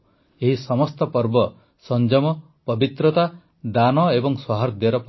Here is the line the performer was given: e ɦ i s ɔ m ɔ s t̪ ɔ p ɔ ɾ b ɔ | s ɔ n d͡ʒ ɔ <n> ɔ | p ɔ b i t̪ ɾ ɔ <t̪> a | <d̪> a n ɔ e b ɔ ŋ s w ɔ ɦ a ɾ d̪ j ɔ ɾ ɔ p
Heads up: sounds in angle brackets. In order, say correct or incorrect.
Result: incorrect, correct, correct

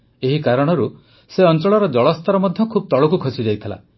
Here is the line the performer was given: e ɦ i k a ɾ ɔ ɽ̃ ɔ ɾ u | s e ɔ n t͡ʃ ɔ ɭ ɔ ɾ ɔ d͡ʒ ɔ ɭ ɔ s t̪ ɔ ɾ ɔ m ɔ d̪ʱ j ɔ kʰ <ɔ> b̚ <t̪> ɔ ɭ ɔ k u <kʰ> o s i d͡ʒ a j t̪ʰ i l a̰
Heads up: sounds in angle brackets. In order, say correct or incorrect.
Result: incorrect, correct, correct

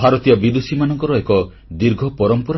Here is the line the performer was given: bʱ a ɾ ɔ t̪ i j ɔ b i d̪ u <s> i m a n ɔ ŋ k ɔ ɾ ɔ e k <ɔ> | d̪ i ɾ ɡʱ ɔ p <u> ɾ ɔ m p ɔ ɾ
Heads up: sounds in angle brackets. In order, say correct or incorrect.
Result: correct, correct, incorrect

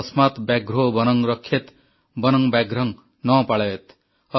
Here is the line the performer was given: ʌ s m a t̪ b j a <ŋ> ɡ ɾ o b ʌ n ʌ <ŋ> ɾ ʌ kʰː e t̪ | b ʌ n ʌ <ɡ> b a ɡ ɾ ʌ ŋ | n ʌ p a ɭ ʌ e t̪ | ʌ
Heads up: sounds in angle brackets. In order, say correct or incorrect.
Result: incorrect, correct, incorrect

